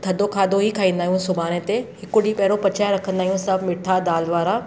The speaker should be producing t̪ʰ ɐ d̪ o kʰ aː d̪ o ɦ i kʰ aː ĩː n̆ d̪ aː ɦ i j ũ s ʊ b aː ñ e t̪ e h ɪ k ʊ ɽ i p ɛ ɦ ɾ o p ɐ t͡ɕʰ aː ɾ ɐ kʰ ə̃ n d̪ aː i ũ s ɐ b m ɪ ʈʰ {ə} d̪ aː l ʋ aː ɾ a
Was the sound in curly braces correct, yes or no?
no